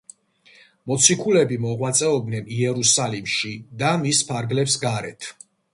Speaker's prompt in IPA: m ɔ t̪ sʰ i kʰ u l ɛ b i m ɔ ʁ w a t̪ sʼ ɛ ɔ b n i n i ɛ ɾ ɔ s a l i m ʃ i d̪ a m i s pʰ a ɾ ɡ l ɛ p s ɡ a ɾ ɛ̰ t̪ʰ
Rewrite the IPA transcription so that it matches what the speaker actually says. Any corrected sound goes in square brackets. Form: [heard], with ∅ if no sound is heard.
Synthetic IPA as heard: m ɔ t̪ sʰ i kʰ u l ɛ b i m ɔ ʁ w a t̪ sʼ ɛ ɔ b n [ɛ] n i ɛ ɾ [u] s a l i m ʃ i d̪ a m i s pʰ a ɾ ɡ l ɛ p s ɡ a ɾ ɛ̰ t̪ʰ